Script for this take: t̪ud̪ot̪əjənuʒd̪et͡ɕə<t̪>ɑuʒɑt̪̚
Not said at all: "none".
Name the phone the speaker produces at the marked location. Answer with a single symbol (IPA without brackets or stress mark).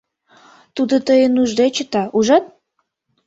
t̪